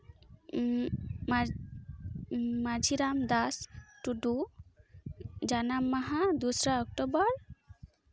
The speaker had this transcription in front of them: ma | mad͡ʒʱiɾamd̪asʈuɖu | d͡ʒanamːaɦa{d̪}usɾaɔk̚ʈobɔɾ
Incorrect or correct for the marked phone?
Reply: correct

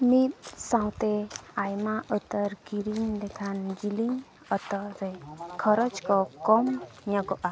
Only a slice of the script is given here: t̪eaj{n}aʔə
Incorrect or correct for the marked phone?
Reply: incorrect: m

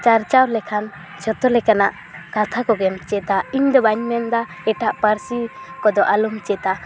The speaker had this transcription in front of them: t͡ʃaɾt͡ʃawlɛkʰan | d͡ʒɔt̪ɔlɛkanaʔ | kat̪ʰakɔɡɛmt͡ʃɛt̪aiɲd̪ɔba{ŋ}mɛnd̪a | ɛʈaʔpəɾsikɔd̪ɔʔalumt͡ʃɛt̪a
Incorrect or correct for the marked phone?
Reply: incorrect: ɲ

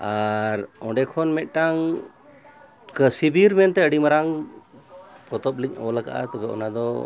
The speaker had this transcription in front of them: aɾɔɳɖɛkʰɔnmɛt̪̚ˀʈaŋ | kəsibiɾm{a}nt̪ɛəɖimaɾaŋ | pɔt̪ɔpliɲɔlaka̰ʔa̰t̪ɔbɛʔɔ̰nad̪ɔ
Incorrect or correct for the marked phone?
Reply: incorrect: ɛ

